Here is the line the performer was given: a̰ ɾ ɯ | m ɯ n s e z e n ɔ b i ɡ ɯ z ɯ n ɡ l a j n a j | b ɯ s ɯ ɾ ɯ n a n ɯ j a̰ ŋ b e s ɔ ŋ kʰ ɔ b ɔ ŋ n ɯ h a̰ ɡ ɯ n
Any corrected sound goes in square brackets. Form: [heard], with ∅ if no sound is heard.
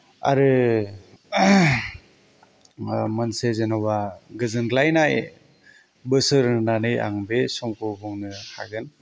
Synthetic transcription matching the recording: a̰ ɾ ɯ | m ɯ n s e z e n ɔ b [a] ɡ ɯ z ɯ n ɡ l a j n a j | b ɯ s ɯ ɾ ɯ n a n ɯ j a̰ ŋ b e s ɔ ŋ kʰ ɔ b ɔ ŋ n ɯ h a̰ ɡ ɯ n

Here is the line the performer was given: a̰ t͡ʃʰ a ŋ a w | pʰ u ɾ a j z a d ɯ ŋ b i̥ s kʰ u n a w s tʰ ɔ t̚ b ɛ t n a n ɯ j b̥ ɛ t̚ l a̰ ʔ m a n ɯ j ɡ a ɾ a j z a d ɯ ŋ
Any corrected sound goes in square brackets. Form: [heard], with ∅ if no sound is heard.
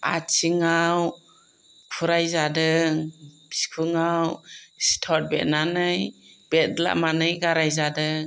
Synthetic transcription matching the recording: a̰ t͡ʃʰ [i] ŋ a w | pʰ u ɾ a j z a d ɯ ŋ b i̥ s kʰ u [ŋ] a w s tʰ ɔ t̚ b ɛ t n a n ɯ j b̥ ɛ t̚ l a̰ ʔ m a n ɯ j ɡ a ɾ a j z a d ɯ ŋ

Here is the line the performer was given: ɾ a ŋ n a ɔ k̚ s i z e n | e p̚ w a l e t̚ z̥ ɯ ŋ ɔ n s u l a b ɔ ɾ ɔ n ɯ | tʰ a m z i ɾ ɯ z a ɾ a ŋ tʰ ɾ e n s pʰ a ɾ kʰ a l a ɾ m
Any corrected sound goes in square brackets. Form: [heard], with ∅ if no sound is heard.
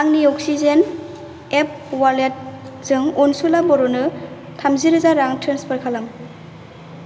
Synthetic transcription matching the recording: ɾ a ŋ n [i] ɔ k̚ s i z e n | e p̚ w a l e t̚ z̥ ɯ ŋ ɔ n s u l a b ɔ ɾ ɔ n ɯ | tʰ a m z i ɾ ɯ z a ɾ a ŋ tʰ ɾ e n s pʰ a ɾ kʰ a l a [∅] m

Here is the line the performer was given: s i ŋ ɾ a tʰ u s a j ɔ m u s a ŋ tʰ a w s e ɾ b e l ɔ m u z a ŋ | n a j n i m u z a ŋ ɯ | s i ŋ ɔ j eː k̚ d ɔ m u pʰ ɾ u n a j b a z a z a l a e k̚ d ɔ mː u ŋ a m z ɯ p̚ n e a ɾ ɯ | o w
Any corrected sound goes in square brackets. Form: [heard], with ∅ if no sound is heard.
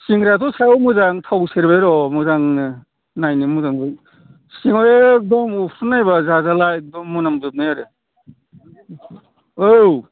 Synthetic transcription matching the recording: s i ŋ ɾ a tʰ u s a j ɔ m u [z] a ŋ tʰ a w s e ɾ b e [ɾ] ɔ m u z a ŋ | n a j n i m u z a ŋ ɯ | s i ŋ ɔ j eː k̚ d ɔ m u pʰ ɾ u n a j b a z a z a l a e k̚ d ɔ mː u [n] a m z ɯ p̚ n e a ɾ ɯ | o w

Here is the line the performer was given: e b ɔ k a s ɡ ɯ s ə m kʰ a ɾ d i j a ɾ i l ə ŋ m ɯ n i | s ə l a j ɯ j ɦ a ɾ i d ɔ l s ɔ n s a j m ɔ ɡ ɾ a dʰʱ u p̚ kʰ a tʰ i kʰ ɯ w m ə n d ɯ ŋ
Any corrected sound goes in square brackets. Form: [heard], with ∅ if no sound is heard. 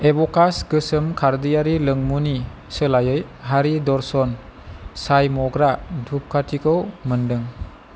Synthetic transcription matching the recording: e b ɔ k a s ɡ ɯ s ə m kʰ a ɾ d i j a ɾ i l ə ŋ m [u] n i | s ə l a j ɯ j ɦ a ɾ i d ɔ [ɾ] s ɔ n s a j m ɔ ɡ ɾ a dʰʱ u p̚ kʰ a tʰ i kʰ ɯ w m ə n d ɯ ŋ

